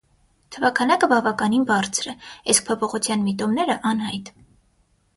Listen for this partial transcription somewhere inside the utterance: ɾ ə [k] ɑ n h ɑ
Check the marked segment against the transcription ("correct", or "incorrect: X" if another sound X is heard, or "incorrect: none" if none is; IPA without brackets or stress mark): incorrect: ʔ